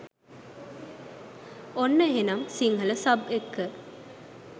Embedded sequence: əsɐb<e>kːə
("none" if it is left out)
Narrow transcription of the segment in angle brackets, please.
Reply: e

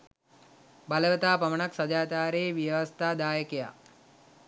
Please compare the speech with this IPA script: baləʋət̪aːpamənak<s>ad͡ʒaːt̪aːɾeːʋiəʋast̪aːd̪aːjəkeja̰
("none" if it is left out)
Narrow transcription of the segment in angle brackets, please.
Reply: s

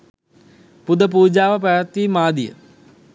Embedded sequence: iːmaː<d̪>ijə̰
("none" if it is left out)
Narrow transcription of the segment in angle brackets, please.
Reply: d̪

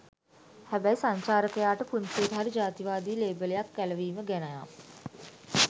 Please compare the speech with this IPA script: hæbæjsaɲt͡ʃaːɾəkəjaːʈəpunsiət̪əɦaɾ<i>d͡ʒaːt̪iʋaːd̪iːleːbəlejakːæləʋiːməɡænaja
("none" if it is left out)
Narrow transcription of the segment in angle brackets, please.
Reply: i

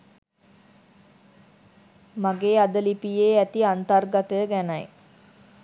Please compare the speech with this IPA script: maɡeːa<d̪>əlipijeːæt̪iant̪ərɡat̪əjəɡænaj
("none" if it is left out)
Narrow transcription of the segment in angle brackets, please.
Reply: d̪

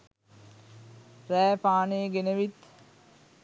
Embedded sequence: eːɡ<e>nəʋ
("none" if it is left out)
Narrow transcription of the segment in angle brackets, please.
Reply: e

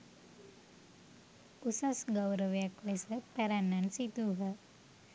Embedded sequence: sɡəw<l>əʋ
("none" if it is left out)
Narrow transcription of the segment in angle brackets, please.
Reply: ɾ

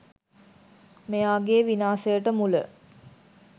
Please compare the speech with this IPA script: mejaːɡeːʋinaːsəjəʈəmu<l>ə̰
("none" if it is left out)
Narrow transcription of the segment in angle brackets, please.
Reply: l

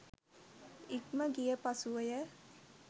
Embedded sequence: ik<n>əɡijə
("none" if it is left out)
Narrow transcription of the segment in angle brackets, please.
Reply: m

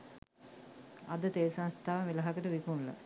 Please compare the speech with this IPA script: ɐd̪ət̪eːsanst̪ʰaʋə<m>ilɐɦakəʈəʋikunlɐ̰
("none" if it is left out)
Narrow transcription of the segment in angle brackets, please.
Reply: m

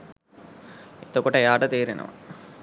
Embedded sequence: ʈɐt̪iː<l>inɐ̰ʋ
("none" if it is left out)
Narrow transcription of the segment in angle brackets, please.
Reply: ɾ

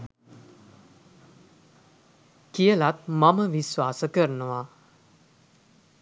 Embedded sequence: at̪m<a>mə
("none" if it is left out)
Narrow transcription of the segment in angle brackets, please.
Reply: a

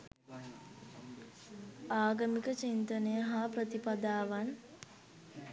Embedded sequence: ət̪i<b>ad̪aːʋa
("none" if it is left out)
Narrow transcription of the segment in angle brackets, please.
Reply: p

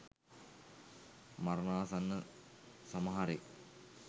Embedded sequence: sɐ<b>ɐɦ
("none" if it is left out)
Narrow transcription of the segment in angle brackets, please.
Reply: m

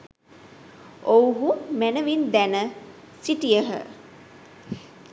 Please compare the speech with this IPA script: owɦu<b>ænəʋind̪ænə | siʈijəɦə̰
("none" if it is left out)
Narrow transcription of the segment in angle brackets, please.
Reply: m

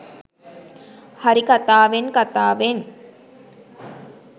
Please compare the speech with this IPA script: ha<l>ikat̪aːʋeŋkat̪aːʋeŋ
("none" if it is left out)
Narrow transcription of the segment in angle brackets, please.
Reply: ɾ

